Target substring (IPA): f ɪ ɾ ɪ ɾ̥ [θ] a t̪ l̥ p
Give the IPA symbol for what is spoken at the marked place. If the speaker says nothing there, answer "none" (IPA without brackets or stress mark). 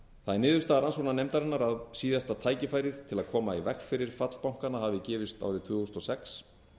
f